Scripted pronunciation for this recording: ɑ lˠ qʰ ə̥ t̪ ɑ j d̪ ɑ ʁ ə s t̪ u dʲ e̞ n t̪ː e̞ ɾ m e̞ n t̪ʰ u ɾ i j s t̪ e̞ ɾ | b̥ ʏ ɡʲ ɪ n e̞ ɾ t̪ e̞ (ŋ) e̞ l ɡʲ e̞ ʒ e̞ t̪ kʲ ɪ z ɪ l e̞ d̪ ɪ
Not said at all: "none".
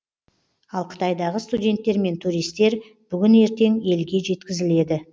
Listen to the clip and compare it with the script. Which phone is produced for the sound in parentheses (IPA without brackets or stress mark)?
ŋ